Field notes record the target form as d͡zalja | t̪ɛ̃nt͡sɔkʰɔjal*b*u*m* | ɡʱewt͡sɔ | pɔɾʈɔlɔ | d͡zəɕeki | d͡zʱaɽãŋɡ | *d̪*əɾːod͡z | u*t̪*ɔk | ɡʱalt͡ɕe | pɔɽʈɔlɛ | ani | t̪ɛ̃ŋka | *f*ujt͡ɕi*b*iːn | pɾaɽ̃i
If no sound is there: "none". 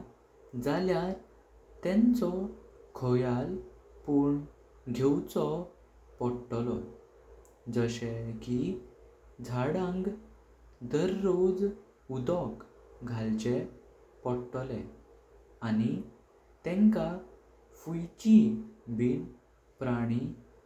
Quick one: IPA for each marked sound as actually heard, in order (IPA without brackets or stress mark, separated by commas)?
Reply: p, ɳ, d̪, d̪, f, b